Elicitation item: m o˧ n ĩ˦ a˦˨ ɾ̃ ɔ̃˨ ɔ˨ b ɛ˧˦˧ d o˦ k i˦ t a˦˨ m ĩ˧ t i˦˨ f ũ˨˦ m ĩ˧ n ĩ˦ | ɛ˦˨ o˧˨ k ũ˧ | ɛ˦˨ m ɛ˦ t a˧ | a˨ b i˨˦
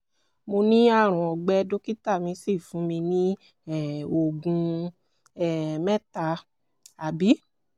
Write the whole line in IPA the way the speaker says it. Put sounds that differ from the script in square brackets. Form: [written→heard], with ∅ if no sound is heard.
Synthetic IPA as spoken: m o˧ n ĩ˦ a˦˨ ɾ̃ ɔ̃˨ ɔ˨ [b→ɡ͡b] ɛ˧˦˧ d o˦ k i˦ t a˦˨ m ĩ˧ [t→s] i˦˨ f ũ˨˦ m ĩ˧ n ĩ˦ | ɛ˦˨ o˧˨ [k→ɡ] ũ˧ | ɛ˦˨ m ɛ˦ t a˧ | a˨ b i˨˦